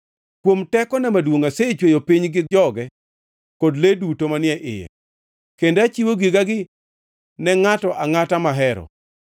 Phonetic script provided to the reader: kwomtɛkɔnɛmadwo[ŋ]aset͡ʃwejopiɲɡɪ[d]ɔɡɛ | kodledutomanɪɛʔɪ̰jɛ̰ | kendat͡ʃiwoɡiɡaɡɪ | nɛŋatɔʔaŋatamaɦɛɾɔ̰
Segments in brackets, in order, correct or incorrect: correct, incorrect

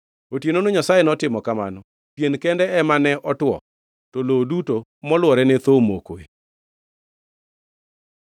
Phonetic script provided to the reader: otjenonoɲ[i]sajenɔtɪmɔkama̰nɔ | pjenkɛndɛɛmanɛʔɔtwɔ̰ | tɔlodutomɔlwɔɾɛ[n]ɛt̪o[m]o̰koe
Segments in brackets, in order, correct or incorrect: incorrect, correct, correct

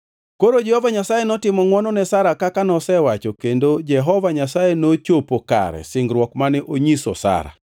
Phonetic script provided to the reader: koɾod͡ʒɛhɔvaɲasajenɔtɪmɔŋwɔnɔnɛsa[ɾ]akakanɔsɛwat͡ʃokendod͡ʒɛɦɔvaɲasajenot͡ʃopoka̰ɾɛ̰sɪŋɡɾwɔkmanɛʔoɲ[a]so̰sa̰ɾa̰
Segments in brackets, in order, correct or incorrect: correct, incorrect

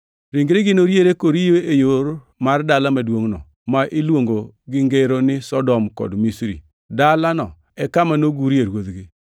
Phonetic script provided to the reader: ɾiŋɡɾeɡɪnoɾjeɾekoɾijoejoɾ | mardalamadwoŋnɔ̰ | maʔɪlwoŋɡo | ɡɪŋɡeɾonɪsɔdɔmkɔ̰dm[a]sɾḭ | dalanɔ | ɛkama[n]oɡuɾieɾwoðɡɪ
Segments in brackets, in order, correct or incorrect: incorrect, correct

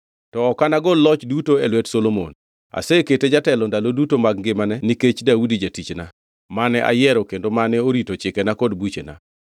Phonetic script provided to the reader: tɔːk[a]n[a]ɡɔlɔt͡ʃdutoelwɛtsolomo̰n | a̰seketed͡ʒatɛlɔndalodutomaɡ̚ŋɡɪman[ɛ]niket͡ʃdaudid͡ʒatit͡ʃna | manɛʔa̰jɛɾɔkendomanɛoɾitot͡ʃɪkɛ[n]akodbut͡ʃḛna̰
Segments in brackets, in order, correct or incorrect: correct, correct, correct, correct

